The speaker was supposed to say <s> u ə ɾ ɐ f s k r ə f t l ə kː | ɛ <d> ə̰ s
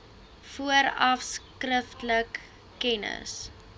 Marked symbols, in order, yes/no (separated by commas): no, no